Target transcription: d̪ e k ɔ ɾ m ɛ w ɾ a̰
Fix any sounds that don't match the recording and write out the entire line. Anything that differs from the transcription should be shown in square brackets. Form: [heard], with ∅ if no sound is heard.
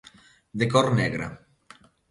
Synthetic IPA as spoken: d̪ e k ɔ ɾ [n] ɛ [ɣ] ɾ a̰